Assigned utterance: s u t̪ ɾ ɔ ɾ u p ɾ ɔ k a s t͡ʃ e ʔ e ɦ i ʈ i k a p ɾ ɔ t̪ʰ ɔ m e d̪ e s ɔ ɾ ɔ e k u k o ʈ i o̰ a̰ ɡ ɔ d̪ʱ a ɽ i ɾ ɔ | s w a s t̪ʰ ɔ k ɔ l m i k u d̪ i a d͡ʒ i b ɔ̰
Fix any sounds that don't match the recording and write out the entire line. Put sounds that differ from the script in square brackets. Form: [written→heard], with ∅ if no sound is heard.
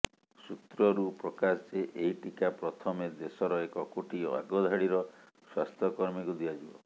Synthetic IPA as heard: s u t̪ ɾ ɔ ɾ u p ɾ ɔ k a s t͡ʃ e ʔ e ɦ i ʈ i k a p ɾ ɔ t̪ʰ ɔ m e d̪ e s ɔ ɾ ɔ e k [u→ɔ] k o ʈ i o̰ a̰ ɡ ɔ d̪ʱ a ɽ i ɾ ɔ | s w a s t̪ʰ ɔ k ɔ [l→ɾ] m i k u d̪ i a d͡ʒ i b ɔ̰